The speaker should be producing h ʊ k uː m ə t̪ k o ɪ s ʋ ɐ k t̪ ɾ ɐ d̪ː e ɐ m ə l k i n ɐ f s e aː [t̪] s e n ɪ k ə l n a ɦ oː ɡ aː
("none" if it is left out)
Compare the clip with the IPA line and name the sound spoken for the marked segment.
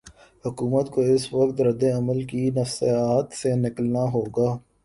t̪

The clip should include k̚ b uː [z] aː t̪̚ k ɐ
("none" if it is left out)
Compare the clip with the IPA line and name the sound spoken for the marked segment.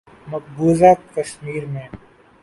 z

